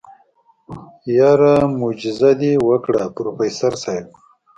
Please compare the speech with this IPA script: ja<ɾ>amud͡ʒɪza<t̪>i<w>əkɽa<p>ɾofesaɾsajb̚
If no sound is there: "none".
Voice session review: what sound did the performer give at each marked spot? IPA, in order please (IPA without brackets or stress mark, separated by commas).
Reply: ɾ, d̪, w, p